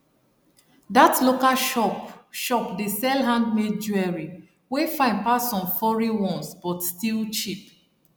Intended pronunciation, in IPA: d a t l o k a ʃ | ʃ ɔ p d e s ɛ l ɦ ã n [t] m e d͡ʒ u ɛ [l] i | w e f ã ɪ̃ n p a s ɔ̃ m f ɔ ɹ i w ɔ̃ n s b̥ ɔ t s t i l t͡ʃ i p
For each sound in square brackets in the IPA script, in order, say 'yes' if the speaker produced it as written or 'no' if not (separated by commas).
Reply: no, no